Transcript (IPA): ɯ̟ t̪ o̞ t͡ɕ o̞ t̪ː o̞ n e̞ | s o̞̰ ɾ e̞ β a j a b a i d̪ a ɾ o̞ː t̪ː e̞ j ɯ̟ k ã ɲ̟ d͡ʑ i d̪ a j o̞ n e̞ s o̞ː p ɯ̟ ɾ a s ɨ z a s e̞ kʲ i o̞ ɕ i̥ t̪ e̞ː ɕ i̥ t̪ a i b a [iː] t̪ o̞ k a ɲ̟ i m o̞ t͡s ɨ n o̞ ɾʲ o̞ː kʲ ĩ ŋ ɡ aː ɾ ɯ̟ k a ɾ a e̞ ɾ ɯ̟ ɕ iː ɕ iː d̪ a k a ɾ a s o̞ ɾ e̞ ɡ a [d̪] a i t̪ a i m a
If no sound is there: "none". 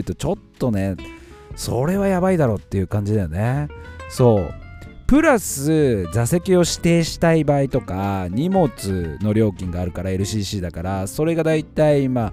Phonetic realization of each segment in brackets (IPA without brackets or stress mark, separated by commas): i, d̪